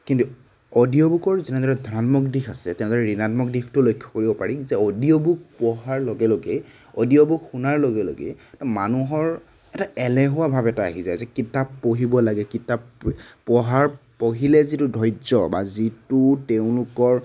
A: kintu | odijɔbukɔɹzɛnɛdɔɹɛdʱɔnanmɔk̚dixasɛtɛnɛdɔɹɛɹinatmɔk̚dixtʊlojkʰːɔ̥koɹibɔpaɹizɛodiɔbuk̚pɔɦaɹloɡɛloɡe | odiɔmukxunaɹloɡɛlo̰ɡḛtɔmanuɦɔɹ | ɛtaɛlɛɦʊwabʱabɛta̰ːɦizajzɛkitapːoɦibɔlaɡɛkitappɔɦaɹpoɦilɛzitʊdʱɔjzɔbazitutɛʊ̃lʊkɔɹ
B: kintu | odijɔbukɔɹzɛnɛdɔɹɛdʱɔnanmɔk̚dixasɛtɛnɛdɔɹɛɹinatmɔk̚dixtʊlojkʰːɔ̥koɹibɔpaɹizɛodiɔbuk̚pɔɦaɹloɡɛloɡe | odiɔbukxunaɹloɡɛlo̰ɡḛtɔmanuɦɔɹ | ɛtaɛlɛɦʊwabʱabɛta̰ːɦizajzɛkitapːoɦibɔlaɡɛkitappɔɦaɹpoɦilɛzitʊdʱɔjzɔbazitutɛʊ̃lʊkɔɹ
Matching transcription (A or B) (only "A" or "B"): B